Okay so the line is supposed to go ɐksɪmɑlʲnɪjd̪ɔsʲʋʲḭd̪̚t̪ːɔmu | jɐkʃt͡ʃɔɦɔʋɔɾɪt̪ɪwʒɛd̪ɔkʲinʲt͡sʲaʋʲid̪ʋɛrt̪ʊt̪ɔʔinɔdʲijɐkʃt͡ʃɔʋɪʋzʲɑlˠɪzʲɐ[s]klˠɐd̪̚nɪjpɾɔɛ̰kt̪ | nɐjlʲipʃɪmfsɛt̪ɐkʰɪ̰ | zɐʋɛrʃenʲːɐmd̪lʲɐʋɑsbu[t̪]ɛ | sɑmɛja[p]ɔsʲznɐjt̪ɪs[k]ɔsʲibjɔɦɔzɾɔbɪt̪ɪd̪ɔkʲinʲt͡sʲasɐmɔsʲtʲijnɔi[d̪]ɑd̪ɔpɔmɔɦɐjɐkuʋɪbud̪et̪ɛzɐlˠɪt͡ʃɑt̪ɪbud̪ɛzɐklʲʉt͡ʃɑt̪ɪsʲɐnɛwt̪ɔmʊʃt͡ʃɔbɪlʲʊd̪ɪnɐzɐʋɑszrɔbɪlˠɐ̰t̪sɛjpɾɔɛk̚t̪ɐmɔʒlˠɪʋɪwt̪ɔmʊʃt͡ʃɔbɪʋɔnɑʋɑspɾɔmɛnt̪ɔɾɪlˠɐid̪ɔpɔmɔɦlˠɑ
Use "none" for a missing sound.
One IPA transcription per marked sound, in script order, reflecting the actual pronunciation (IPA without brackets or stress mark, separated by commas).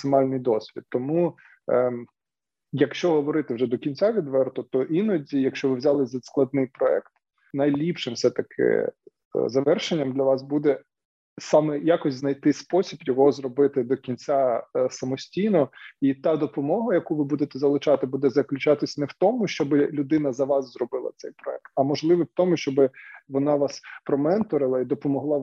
s, d̪, k, p, t̪